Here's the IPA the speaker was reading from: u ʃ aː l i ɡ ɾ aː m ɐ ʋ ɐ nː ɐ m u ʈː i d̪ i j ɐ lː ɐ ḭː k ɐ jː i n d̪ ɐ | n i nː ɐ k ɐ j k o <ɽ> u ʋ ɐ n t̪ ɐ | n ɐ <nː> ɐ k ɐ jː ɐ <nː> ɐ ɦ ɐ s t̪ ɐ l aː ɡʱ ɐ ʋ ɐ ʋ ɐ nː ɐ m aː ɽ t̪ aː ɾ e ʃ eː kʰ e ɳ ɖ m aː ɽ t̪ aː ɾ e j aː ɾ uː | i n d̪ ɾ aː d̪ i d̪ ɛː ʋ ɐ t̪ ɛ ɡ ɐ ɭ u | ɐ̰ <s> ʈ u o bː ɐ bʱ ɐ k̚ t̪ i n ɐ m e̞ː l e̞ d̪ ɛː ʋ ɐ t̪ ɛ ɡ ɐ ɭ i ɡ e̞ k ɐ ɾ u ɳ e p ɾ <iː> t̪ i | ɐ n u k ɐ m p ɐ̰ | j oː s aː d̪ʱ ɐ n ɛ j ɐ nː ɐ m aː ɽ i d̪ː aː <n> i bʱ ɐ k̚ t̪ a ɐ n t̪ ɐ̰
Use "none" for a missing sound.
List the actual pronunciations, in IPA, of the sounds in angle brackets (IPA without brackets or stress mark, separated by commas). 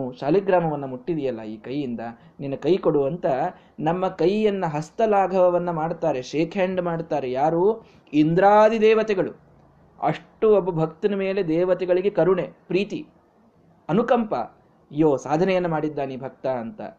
ɽ, mː, nː, ʂ, iː, n